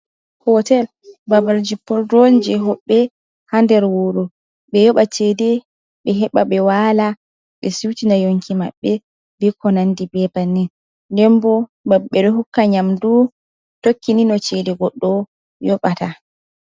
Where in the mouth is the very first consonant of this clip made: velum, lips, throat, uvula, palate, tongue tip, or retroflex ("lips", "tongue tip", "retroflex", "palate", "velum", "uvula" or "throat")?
throat